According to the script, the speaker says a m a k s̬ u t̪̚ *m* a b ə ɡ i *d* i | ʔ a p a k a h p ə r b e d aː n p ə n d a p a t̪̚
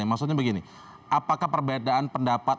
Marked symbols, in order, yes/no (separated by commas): no, no